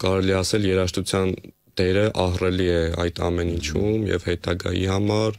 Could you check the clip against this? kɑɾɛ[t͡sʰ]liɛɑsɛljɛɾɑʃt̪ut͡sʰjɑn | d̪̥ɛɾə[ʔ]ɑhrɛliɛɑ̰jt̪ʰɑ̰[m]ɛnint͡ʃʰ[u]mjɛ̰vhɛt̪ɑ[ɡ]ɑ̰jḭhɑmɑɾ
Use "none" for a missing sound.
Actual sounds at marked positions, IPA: none, ʔ, m, u, ɡ

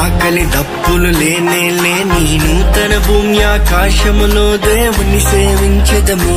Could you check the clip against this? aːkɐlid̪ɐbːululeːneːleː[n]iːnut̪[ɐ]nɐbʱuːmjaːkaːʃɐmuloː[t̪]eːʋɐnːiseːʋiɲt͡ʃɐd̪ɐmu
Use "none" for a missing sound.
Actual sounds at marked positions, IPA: n, ɐ, d̪

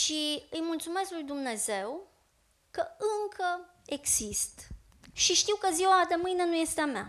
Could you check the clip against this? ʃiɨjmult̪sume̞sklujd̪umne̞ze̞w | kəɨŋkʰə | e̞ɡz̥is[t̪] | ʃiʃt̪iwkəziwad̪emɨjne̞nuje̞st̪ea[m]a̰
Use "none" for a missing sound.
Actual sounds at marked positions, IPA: t̪, m

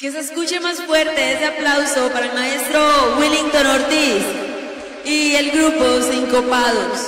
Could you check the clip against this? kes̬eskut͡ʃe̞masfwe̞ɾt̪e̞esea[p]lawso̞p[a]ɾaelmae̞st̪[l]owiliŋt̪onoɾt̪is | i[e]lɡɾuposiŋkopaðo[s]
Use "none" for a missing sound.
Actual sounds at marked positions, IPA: p, a, ɾ, e, s

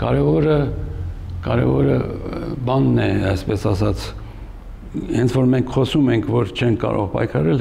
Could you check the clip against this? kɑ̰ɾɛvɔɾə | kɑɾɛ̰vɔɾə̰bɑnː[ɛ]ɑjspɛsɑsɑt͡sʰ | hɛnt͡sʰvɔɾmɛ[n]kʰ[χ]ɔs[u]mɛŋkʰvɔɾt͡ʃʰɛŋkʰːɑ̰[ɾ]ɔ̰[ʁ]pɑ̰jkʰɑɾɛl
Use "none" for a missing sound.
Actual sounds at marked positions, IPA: ɛ, ŋ, χ, u, ɾ, ʁ

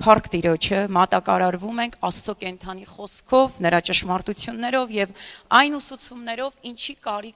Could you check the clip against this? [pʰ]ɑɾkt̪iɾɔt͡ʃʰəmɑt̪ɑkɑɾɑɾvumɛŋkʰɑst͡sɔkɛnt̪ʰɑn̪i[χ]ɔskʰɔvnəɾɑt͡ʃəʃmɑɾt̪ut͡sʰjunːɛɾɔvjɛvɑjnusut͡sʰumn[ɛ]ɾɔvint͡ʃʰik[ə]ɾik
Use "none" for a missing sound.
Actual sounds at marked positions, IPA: pʰ, χ, ɛ, ɑ

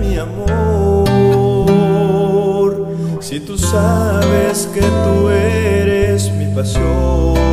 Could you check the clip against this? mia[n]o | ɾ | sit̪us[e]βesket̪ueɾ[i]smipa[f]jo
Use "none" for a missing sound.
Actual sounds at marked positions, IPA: m, a, e, s

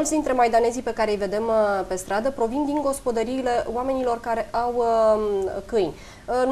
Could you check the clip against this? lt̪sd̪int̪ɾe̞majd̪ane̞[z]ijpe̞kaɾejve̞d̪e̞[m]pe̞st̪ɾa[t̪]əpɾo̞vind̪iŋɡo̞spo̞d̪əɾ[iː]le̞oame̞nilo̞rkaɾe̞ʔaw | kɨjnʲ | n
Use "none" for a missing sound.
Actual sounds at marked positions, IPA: z, m, d̪, iː

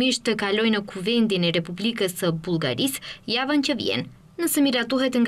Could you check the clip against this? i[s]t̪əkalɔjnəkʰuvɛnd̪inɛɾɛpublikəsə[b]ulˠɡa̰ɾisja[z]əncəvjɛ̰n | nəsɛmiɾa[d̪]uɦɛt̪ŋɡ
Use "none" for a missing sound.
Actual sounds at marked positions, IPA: ʃ, b, v, t̪

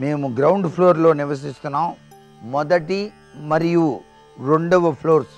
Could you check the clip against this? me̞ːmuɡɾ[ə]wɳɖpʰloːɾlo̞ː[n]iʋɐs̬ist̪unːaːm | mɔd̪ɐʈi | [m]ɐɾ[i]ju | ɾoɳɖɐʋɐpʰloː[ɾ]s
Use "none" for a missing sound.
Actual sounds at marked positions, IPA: ɐ, n, m, i, ɾ

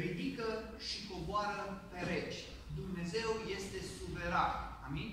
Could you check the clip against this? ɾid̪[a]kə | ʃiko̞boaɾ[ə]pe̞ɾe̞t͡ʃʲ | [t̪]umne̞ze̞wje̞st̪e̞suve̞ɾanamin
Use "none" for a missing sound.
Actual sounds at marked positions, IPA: i, ə, d̪

